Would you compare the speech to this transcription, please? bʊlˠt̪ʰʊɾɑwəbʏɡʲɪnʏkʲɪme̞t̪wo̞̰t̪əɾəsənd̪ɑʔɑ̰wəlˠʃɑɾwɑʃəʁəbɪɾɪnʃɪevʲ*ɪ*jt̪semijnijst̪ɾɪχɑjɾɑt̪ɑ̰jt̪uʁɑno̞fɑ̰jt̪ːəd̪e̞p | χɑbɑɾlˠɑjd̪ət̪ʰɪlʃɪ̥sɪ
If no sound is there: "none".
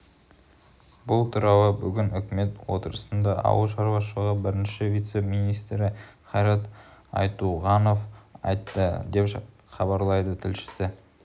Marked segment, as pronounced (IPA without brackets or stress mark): i